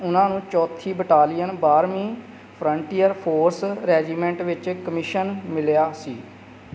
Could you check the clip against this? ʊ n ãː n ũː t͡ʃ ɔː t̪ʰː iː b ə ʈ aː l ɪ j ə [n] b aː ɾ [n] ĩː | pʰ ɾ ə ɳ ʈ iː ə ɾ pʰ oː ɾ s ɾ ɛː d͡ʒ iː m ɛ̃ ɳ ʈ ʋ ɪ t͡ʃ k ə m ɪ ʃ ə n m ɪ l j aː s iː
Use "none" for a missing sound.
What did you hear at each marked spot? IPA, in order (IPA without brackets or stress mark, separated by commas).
n, m